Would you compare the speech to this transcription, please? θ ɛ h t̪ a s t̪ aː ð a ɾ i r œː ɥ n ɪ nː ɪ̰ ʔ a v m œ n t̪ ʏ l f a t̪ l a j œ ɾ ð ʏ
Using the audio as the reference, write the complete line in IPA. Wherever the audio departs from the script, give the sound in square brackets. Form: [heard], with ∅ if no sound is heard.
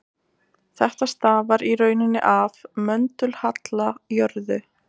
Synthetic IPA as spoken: θ ɛ h t̪ a s t̪ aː [v] a ɾ i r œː ɥ n ɪ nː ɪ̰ ʔ a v m œ n t̪ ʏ l [h] a t̪ l a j œ ɾ ð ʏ